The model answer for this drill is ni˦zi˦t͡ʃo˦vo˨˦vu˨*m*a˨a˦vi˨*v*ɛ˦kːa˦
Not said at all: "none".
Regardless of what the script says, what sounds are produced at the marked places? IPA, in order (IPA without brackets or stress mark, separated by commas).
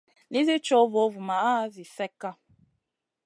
m, f